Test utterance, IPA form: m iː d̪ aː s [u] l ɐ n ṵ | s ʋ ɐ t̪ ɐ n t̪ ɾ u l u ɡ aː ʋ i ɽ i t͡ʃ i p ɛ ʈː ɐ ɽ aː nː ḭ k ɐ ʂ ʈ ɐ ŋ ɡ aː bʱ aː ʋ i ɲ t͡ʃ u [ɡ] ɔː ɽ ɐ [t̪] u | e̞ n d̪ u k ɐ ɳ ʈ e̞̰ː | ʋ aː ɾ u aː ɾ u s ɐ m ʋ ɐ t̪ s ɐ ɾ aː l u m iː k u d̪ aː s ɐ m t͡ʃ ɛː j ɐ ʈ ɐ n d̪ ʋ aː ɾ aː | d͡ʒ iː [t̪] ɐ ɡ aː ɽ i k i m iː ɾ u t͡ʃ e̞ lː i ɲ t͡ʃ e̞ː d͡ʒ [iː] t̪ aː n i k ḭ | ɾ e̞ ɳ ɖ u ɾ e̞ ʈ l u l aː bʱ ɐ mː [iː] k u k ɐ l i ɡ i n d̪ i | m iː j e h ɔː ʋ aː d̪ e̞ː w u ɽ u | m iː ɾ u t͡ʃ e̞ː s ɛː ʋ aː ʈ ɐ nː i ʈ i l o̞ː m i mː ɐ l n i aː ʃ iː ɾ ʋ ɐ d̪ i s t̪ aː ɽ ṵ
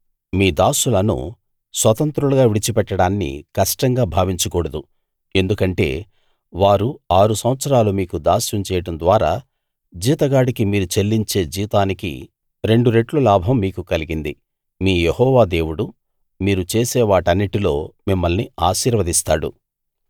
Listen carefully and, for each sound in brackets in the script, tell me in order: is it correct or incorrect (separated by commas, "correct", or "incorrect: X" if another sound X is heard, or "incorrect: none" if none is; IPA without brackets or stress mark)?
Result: correct, incorrect: k, incorrect: d̪, correct, correct, correct